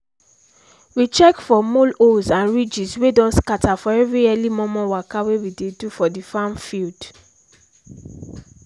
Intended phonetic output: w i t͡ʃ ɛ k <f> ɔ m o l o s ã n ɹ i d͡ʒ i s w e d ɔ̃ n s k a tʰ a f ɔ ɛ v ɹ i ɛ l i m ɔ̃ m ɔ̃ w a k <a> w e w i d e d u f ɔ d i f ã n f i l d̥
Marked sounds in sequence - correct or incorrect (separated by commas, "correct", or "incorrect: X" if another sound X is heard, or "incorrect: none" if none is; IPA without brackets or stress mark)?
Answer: correct, correct